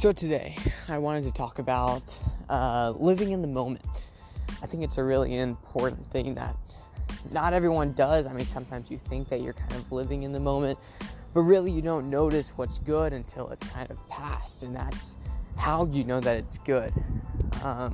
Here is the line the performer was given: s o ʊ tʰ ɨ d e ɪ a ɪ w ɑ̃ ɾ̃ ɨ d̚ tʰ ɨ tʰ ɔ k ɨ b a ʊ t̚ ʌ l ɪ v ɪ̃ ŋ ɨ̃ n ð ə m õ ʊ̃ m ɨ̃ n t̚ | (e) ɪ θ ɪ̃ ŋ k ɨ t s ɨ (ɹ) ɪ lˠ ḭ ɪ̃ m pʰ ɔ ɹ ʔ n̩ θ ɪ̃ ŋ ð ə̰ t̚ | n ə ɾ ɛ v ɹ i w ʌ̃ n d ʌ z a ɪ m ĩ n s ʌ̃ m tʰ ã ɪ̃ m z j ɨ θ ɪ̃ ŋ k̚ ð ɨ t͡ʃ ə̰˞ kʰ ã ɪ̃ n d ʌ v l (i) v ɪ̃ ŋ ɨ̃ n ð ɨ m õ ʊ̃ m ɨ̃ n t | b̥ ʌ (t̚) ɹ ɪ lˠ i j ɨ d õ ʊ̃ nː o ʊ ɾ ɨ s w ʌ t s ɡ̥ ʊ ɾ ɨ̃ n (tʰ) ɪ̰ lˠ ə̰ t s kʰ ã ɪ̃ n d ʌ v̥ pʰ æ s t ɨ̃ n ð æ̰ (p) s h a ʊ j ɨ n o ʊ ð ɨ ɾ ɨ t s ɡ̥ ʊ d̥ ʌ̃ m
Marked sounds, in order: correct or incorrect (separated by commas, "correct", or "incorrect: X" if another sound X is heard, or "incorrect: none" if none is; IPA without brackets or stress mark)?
incorrect: a, correct, incorrect: ɪ, correct, correct, incorrect: t